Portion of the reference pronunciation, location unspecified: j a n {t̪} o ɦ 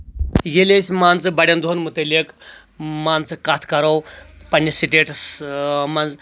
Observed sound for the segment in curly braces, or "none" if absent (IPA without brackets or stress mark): d̪